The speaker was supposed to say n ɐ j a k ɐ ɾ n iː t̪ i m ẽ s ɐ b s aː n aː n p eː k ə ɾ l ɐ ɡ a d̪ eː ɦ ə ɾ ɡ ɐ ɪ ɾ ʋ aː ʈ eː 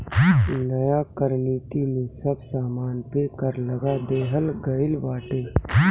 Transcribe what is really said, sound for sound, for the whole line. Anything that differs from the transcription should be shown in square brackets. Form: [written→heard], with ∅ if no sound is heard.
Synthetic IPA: n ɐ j a k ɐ ɾ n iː t̪ i m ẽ s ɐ b s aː [n→m] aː n p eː k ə ɾ l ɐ ɡ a d̪ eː ɦ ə [ɾ→l] ɡ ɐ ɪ [ɾ→l] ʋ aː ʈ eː